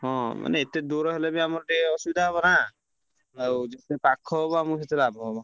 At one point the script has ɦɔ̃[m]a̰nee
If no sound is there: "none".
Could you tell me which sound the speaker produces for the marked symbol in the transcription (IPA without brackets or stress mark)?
m